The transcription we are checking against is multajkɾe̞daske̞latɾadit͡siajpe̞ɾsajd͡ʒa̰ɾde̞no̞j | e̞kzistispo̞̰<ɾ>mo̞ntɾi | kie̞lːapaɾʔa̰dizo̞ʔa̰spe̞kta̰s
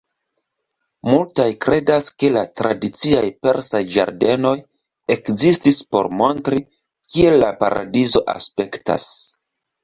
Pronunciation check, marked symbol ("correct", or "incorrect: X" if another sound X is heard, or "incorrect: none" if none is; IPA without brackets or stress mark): correct